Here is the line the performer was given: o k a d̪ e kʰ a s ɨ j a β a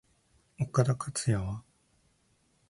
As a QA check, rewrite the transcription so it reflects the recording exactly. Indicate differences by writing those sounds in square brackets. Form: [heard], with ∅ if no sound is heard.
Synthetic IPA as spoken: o k a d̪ [a] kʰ a [t͡s] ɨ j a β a